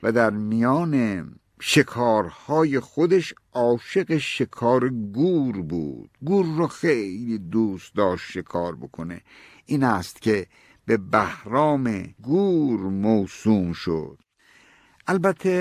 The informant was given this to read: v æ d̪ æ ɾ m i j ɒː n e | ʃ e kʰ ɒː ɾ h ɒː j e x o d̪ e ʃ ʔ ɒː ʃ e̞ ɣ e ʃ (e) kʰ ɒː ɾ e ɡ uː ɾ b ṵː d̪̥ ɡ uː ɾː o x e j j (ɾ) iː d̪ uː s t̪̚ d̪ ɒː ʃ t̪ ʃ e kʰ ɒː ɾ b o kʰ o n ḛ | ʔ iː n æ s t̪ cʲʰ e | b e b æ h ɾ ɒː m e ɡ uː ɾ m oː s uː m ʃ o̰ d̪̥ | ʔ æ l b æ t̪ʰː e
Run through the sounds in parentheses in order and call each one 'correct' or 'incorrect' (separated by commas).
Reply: correct, incorrect